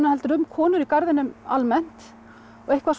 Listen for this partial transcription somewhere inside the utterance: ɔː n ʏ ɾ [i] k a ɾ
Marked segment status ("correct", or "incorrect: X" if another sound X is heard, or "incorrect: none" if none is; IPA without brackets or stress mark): correct